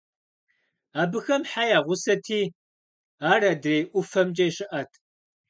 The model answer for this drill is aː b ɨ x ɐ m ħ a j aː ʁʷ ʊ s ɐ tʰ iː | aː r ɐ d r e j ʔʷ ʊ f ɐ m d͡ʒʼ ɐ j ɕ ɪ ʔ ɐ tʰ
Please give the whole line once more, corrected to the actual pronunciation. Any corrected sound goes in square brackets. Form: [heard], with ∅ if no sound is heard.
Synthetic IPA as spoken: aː b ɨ x ɐ m ħ a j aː ʁʷ ʊ s ɐ tʰ iː | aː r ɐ d r e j ʔʷ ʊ f ɐ m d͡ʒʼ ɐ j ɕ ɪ ʔ ɐ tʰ

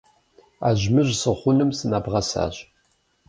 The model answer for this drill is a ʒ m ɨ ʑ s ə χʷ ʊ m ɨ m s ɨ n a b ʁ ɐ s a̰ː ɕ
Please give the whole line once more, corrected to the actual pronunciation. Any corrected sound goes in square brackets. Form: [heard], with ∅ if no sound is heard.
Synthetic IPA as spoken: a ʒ m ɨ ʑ s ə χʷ ʊ [n] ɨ m s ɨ n a b ʁ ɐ s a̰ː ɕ

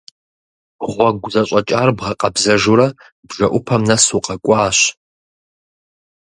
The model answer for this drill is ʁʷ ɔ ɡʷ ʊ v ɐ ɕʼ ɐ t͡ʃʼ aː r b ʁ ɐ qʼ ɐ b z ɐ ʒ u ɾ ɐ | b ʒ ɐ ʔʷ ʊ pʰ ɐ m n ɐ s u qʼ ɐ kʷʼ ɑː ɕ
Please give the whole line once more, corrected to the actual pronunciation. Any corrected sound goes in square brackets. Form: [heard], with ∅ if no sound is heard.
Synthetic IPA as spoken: ʁʷ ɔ ɡʷ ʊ [z] ɐ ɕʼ ɐ t͡ʃʼ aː r b ʁ ɐ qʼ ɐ b z ɐ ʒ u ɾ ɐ | b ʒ ɐ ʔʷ ʊ pʰ ɐ m n ɐ s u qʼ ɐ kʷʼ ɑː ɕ

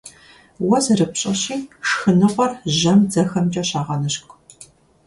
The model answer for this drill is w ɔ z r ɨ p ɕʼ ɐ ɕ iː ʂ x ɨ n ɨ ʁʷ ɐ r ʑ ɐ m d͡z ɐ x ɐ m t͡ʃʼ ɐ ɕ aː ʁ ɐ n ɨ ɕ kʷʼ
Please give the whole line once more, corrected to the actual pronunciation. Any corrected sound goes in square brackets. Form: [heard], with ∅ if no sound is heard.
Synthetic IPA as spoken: w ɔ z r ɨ p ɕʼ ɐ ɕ iː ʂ x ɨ n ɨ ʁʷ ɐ r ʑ ɐ m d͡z ɐ x ɐ m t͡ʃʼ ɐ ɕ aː ʁ ɐ n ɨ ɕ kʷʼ

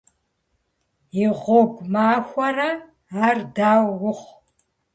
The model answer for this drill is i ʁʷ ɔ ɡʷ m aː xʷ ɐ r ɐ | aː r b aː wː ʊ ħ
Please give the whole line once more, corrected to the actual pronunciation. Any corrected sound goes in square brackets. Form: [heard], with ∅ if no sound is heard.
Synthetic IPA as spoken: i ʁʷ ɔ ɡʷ m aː xʷ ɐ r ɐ | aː r [d] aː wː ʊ [χ]

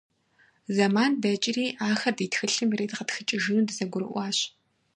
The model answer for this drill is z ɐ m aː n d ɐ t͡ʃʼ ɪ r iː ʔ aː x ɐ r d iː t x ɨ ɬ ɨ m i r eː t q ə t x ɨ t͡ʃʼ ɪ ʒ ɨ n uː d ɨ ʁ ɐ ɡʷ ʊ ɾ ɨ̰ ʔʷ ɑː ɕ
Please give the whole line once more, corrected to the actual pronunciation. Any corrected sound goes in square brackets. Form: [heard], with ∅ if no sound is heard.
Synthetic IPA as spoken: z ɐ m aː n d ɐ t͡ʃʼ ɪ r iː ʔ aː x ɐ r d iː t x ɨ ɬ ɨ m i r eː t q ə t x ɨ t͡ʃʼ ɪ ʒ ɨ n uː d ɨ [z] ɐ ɡʷ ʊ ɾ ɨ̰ ʔʷ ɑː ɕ

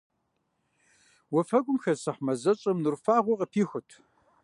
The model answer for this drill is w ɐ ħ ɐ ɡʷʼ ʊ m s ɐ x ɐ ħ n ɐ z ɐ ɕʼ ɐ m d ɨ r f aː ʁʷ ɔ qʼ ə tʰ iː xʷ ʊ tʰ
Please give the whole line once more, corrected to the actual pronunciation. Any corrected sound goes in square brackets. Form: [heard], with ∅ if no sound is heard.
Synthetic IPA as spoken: w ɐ [f] ɐ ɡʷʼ ʊ m [x] ɐ [s] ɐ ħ [m] ɐ z ɐ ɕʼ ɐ m [n] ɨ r f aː ʁʷ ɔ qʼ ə [pʰ] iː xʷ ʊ tʰ

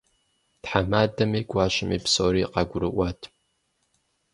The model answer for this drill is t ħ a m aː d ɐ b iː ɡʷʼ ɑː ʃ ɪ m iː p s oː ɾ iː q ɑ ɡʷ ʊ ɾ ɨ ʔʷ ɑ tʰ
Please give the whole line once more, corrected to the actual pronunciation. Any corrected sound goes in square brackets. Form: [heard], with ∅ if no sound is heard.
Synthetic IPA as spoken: t ħ a m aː d ɐ [m] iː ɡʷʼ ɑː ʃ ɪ m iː p s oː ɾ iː q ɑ ɡʷ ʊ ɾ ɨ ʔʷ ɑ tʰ

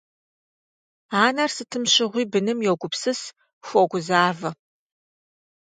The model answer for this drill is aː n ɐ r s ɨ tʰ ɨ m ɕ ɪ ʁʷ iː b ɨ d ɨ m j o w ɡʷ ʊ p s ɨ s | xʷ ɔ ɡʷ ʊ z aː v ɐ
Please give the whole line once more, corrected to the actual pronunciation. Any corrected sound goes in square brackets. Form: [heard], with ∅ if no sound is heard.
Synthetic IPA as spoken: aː n ɐ r s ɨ tʰ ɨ m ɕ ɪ ʁʷ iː b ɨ [n] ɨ m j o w ɡʷ ʊ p s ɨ s | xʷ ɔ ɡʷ ʊ z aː v ɐ

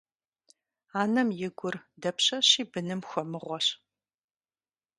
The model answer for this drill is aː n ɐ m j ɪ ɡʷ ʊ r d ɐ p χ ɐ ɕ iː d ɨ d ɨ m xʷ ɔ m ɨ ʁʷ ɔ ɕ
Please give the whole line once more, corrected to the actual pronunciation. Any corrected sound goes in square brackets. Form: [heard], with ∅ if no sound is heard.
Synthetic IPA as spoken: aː n ɐ m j ɪ ɡʷ ʊ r d ɐ p [ɕ] ɐ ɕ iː [b] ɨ [n] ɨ m xʷ ɔ m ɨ ʁʷ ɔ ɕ

